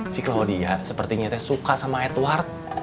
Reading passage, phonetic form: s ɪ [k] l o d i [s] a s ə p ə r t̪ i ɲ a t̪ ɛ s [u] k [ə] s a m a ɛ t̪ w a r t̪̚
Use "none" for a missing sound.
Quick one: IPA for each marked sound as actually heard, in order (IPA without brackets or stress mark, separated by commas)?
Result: k, none, u, a